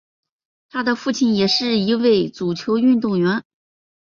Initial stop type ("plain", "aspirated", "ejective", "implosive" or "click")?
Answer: aspirated